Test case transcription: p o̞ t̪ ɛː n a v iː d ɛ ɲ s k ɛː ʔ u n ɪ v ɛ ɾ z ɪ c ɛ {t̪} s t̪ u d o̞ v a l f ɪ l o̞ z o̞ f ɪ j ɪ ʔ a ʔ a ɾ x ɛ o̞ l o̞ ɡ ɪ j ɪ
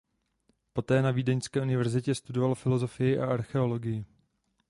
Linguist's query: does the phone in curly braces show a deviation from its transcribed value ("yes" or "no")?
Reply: yes